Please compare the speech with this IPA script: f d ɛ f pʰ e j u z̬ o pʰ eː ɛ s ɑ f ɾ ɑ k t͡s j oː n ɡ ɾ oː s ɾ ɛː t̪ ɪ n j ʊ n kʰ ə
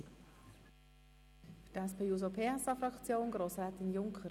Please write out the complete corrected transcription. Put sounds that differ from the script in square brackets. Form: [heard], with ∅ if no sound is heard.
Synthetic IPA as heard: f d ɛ [s] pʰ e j u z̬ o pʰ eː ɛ s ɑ f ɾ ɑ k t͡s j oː n ɡ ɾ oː s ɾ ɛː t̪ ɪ n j ʊ [ŋ] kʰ ə